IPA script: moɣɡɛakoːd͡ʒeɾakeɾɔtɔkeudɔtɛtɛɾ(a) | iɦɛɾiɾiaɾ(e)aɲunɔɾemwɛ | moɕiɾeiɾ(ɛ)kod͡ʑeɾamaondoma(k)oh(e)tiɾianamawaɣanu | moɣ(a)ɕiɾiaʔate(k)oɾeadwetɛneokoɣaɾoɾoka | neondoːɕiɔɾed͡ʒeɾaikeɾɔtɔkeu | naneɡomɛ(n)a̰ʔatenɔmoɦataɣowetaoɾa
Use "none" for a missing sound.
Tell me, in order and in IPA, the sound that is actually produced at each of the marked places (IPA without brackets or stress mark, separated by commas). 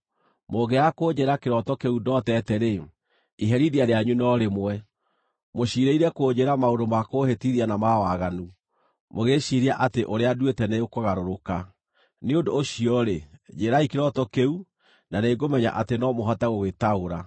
e, e, ɛ, k, e, e, ʔ, ɲ